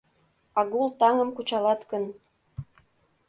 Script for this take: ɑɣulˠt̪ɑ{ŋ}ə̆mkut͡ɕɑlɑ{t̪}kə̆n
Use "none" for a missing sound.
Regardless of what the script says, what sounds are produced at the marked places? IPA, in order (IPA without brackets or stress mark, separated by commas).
ŋ, t̪